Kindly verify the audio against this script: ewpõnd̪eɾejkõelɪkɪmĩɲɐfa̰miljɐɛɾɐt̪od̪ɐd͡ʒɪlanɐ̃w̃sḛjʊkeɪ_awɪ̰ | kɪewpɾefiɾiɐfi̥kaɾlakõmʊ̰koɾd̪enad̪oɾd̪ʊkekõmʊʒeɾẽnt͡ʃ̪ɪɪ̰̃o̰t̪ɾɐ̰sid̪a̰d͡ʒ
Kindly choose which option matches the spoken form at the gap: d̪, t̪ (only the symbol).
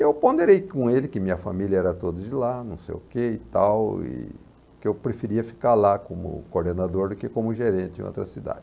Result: t̪